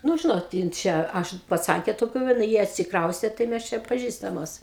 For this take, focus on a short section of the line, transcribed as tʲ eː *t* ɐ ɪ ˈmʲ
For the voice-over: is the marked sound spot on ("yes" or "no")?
yes